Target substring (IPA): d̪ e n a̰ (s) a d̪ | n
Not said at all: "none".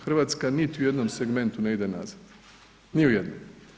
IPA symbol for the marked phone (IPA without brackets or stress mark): z